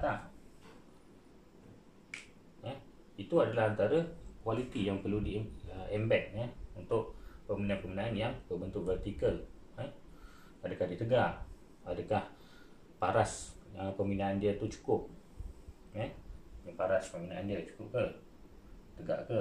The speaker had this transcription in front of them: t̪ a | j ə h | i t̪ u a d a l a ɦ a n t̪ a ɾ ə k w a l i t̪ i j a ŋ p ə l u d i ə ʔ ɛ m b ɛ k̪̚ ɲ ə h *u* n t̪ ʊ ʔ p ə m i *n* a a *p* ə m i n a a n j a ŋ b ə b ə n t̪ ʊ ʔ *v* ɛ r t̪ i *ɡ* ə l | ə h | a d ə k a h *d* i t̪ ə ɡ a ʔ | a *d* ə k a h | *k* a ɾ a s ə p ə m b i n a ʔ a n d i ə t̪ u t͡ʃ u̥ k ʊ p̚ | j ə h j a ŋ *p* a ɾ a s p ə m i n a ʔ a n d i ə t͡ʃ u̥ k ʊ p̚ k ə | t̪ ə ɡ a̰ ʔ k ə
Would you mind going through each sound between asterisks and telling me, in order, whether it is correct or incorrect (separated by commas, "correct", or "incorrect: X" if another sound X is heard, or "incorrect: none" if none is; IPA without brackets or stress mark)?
correct, correct, correct, correct, incorrect: k, correct, correct, incorrect: p, correct